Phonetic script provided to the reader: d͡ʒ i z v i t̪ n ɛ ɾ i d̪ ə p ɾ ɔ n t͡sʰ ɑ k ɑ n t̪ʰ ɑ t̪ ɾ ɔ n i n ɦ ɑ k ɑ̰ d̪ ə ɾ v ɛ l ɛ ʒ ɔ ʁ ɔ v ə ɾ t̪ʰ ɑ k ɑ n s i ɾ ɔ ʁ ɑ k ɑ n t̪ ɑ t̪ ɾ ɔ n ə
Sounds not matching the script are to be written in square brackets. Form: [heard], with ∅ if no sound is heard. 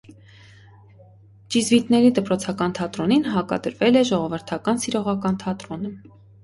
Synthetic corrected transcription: d͡ʒ i z v i t̪ n ɛ ɾ i d̪ ə p ɾ ɔ [∅] t͡sʰ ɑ k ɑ n t̪ʰ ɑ t̪ ɾ ɔ n i n ɦ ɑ k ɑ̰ d̪ ə ɾ v ɛ l ɛ ʒ ɔ ʁ ɔ v ə ɾ t̪ʰ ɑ k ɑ n s i ɾ ɔ ʁ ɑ k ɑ n [t̪ʰ] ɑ t̪ ɾ ɔ n ə